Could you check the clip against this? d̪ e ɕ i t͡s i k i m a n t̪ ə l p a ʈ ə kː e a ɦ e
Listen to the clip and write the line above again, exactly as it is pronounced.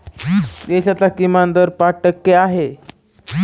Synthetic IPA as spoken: d̪ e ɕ a t͡s a k i m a n d̪ ə ɾ p a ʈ ə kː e a ɦ e